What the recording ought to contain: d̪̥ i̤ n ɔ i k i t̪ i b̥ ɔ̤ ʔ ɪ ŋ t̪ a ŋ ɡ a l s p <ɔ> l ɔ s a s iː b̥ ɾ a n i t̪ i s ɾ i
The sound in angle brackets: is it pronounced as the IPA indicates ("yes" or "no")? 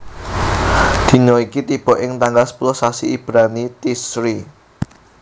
no